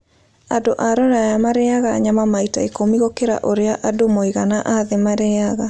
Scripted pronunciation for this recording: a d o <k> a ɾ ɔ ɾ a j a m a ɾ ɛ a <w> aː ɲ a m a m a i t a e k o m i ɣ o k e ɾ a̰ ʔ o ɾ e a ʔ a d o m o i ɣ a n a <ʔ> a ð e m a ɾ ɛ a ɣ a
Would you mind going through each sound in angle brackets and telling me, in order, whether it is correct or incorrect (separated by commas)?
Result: incorrect, incorrect, correct